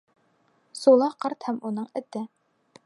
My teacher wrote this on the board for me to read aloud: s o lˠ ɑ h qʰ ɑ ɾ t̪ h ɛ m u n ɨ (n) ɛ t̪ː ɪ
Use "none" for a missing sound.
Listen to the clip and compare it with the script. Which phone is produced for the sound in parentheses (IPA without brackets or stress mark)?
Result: ŋ